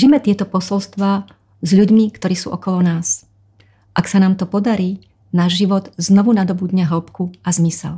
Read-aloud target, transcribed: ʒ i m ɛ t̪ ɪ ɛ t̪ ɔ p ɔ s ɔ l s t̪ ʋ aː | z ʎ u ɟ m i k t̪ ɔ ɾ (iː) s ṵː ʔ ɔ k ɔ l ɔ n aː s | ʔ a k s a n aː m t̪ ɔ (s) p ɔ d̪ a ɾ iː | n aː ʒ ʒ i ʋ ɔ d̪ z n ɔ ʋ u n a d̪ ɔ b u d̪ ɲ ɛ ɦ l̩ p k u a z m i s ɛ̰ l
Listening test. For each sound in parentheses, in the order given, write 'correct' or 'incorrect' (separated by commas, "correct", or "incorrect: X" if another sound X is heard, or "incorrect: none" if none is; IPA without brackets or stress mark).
correct, incorrect: none